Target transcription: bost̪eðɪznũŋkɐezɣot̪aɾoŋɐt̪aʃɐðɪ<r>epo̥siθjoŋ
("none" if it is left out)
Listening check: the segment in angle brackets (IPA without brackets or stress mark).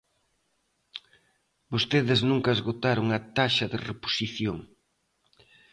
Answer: r